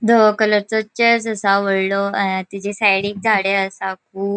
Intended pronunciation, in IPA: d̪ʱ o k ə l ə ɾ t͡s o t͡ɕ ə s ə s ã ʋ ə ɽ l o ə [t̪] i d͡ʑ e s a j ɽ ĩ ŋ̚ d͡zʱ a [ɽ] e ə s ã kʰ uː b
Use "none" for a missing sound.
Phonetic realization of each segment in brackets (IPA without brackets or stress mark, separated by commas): t̪, ɽ